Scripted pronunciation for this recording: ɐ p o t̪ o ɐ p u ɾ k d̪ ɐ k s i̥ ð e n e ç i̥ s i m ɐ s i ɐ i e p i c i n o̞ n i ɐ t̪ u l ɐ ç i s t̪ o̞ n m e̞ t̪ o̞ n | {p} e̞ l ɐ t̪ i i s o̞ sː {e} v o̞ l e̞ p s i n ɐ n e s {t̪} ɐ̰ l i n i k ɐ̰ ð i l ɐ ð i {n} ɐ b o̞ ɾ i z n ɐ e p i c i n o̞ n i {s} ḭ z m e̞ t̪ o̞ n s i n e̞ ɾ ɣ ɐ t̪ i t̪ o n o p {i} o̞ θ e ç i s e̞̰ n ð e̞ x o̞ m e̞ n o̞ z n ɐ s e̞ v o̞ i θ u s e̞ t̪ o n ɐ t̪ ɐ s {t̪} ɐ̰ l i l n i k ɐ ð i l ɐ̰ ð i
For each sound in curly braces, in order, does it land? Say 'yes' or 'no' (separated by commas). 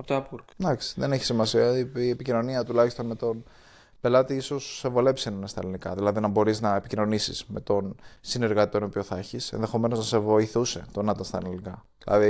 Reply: yes, yes, yes, yes, yes, yes, yes